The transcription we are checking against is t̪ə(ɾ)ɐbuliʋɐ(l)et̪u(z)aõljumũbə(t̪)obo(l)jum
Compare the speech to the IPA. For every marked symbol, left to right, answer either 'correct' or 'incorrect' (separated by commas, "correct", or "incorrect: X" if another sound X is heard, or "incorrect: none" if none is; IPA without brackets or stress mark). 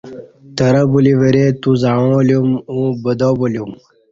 correct, incorrect: ɾ, correct, incorrect: d̪, correct